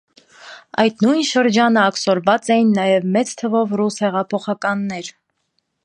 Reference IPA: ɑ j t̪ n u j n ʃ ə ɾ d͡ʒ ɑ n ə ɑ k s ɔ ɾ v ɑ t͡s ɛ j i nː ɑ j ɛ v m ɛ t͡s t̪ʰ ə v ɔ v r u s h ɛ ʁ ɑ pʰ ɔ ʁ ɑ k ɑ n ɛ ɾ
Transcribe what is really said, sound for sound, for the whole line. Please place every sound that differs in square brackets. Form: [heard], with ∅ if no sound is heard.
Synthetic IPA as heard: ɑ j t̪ n u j n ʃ ə ɾ d͡ʒ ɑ n ə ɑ k s ɔ ɾ v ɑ t͡s ɛ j i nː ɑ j ɛ v m ɛ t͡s t̪ʰ ə v ɔ v r u s h ɛ ʁ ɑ pʰ ɔ [χ] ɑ k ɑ [nː] ɛ ɾ